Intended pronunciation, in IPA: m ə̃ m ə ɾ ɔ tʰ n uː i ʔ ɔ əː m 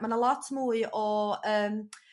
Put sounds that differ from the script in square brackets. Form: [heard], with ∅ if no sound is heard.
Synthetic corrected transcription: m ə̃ [n] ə [l] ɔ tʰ [m] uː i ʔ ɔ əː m